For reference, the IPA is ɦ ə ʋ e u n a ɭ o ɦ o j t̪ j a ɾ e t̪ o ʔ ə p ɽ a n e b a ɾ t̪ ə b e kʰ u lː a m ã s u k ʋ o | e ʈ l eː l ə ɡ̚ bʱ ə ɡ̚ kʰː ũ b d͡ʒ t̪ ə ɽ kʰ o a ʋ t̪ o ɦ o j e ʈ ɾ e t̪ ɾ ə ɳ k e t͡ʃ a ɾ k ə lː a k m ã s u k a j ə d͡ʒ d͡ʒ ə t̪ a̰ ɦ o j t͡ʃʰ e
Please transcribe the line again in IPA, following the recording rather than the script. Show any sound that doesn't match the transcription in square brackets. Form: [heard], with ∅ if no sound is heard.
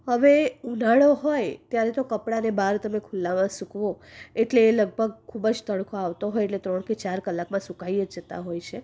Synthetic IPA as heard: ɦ ə ʋ e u n a ɭ o ɦ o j t̪ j a ɾ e t̪ o [k] ə p ɽ a n e b a ɾ t̪ ə [m] e kʰ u lː a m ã s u k ʋ o | e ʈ l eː l ə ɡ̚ bʱ ə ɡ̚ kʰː [u] b d͡ʒ t̪ ə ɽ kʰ o a ʋ t̪ o ɦ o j e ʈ [l] e t̪ ɾ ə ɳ k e t͡ʃ a ɾ k ə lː a k m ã s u k a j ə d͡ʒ d͡ʒ ə t̪ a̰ ɦ o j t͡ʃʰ e